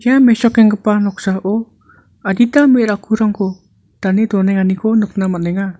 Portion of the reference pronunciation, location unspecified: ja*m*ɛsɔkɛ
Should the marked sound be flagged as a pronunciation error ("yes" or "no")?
no